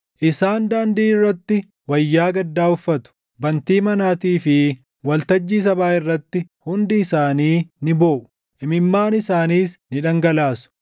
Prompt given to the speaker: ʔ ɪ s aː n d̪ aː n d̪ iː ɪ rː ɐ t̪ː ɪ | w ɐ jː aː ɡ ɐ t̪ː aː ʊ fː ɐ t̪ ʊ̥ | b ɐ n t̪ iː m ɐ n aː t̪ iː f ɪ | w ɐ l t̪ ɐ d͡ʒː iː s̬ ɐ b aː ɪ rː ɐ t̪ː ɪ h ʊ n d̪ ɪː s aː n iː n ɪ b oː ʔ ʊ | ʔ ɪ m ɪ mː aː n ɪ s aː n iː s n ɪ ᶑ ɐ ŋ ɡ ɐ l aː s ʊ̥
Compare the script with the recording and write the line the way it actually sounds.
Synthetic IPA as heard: ʔ ɪ s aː n d̪ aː n d̪ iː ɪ rː ɐ t̪ː ɪ | w ɐ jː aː ɡ ɐ d̪ː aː ʊ fː ɐ t̪ ʊ̥ | b ɐ n t̪ iː m ɐ n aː t̪ iː f ɪ | w ɐ l t̪ ɐ d͡ʒː iː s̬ ɐ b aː ɪ rː ɐ t̪ː ɪ h ʊ n d̪ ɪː s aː n iː n ɪ b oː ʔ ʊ | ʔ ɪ m ɪ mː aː n ɪ s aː n iː s n ɪ ᶑ ɐ ŋ ɡ ɐ l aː s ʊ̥